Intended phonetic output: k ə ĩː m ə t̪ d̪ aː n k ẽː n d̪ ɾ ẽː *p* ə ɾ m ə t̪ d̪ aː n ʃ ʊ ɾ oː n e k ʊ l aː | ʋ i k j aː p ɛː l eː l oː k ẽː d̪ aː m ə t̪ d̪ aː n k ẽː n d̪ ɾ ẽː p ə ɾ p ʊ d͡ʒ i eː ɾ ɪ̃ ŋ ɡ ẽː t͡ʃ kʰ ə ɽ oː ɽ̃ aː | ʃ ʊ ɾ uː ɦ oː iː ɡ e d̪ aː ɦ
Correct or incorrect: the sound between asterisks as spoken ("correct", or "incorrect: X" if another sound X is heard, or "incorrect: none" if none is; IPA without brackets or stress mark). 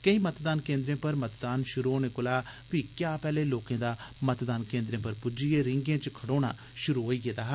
correct